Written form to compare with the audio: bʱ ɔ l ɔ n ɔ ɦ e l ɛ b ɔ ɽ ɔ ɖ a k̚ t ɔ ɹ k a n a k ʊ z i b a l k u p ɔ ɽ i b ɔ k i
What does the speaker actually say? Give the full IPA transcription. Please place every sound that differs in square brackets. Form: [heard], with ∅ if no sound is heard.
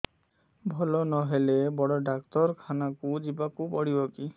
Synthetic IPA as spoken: bʱ ɔ l ɔ n ɔ ɦ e l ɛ b ɔ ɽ ɔ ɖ a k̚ t ɔ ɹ [kʰ] a n a k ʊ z i b a [∅] k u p ɔ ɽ i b ɔ k i